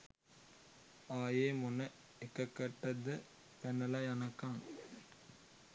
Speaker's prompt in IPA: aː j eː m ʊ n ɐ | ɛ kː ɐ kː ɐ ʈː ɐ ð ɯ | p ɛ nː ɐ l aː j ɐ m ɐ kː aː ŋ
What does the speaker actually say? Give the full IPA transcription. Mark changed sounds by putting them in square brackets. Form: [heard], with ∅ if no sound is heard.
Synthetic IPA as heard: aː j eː m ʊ n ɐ | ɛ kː ɐ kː ɐ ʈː ɐ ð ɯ | p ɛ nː ɐ l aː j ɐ [n] ɐ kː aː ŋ